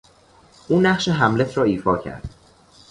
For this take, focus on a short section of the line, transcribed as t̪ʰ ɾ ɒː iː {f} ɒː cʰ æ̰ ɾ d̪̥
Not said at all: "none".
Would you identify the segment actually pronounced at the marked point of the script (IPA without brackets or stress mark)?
f